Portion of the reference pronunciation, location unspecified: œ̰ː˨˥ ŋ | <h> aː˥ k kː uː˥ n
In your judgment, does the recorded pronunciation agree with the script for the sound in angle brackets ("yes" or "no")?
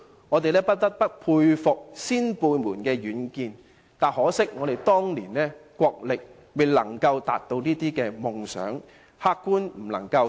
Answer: yes